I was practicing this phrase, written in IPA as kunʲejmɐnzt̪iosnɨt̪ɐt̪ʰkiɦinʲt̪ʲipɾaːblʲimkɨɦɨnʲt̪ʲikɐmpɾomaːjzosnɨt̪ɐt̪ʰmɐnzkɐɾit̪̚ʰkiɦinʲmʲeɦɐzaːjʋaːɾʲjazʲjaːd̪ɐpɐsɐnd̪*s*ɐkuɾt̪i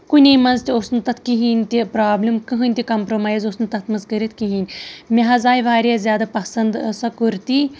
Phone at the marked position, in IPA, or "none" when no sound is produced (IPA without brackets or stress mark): s